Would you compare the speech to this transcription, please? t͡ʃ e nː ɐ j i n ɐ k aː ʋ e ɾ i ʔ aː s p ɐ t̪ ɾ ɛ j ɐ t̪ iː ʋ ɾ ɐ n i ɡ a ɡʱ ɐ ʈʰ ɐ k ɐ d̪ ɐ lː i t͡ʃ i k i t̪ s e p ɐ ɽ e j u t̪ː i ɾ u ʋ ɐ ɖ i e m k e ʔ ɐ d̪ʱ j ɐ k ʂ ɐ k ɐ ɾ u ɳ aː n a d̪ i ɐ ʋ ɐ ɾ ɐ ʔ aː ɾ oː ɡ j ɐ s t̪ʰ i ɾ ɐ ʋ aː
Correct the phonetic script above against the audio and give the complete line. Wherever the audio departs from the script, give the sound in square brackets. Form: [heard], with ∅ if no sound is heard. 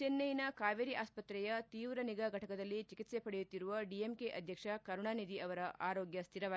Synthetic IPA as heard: t͡ʃ e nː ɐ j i n ɐ k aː ʋ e ɾ i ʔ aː s p ɐ t̪ ɾ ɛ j ɐ t̪ iː ʋ ɾ ɐ n i ɡ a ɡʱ ɐ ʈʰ ɐ k ɐ d̪ ɐ lː i t͡ʃ i k i t̪ s e p ɐ ɽ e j u t̪ː i ɾ u ʋ ɐ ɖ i e m k e ʔ ɐ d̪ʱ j ɐ k ʂ ɐ k ɐ ɾ u ɳ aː n [i] d̪ i ɐ ʋ ɐ ɾ ɐ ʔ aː ɾ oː ɡ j ɐ s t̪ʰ i ɾ ɐ ʋ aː